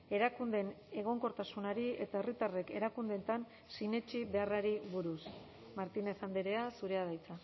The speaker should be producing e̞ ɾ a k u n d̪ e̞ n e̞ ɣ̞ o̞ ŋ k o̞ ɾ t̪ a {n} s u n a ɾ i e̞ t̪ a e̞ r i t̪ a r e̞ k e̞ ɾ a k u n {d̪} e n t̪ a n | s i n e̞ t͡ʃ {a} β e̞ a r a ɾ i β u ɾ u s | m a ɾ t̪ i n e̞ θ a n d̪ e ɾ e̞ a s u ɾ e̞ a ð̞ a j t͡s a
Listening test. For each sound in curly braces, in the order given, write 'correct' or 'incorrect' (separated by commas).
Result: incorrect, correct, incorrect